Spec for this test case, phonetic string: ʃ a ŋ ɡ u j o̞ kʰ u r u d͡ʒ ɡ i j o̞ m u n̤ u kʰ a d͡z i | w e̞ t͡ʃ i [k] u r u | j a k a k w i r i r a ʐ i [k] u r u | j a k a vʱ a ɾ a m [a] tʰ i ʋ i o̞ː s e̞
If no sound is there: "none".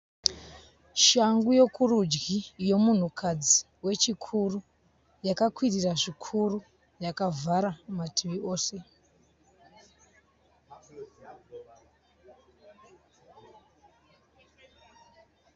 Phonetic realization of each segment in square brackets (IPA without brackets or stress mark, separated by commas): kʰ, kʰ, a